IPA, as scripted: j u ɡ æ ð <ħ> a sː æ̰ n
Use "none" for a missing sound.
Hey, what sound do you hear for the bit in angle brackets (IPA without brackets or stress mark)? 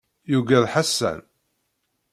ħ